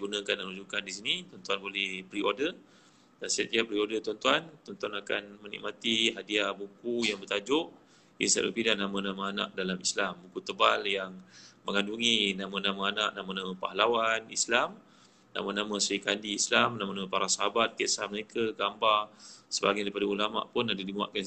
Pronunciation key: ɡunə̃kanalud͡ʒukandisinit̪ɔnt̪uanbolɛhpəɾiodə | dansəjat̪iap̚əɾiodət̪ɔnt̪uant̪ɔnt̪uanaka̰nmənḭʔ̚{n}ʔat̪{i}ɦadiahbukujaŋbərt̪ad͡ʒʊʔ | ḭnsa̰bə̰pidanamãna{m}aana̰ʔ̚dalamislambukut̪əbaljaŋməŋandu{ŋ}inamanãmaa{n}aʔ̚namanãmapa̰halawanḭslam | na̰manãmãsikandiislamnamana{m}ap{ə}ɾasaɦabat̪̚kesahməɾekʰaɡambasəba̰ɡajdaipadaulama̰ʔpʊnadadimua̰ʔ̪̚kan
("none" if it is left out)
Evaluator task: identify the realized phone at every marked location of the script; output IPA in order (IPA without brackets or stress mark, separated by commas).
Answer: m, i, m, ŋ, n, m, a